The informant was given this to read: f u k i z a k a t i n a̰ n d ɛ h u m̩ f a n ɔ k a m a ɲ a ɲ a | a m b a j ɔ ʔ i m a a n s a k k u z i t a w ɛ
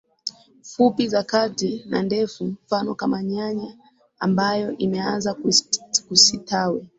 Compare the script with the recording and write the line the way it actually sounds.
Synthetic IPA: f u p i z a k a t i n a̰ n d ɛ f u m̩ f a n ɔ k a m a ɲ a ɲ a | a m b a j ɔ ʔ i m ɛ a n z a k k u s i t a w ɛ